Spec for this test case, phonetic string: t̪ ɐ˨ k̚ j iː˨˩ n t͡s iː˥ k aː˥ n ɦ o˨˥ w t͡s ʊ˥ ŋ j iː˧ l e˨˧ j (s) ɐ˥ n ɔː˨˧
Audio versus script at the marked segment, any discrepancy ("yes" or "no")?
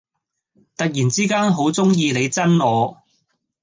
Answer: yes